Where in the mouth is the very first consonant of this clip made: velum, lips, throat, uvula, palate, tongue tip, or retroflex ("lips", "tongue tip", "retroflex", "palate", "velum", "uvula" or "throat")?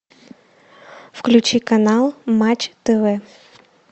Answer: lips